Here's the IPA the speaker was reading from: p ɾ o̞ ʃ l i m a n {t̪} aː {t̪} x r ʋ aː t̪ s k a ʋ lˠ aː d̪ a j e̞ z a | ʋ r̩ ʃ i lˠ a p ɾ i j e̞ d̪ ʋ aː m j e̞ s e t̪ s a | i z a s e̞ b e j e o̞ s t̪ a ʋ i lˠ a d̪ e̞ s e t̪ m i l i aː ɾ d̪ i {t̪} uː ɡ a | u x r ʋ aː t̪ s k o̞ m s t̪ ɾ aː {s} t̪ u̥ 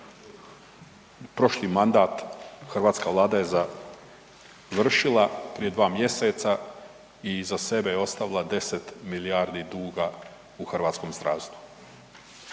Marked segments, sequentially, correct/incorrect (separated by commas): incorrect, correct, incorrect, correct